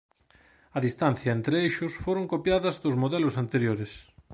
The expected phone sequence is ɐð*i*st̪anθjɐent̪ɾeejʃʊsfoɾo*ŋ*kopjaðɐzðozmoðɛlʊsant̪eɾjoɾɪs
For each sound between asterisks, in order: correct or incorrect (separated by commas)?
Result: correct, correct